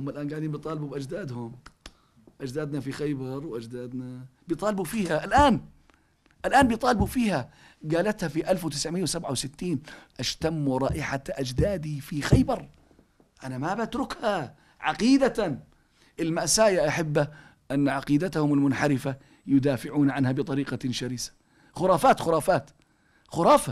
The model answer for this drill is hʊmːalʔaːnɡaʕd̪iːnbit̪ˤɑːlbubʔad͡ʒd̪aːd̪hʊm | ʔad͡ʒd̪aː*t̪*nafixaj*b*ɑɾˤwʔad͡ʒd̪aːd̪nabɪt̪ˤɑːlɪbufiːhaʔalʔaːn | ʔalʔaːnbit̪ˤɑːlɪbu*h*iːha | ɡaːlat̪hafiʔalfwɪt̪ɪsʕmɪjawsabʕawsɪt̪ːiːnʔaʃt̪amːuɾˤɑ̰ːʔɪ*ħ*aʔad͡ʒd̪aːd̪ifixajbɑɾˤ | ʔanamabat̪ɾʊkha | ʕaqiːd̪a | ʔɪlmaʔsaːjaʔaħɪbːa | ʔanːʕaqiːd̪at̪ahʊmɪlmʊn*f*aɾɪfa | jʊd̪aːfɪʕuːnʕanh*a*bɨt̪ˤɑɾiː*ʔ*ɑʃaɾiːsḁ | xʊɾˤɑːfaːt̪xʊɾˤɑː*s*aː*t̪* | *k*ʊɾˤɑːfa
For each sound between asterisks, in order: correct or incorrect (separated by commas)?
incorrect, correct, incorrect, correct, incorrect, correct, incorrect, incorrect, correct, incorrect